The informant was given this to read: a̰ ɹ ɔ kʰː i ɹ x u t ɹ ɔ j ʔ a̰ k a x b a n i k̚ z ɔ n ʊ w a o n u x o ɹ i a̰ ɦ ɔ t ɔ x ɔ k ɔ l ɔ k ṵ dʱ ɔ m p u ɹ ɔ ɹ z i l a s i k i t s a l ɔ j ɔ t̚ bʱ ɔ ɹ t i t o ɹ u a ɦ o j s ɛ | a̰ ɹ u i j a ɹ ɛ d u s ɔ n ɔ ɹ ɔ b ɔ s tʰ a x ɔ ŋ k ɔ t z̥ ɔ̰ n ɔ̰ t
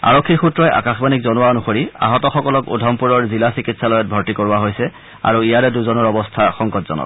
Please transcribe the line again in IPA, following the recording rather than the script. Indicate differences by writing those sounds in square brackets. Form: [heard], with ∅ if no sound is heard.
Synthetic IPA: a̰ ɹ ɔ kʰː i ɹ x u t ɹ ɔ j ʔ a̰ k a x b a n i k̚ z ɔ n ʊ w a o n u x o ɹ i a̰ ɦ ɔ t ɔ x ɔ k ɔ l ɔ k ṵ dʱ ɔ m p u ɹ ɔ ɹ z i l a s i k i t s a l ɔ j ɔ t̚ bʱ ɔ ɹ t i [k] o ɹ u a ɦ o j s ɛ | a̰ ɹ u i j a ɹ ɛ d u [z] ɔ n ɔ ɹ ɔ b ɔ s tʰ a x ɔ ŋ k ɔ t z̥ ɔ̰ n ɔ̰ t